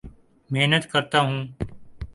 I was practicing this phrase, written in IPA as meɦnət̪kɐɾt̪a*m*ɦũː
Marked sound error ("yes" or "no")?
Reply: yes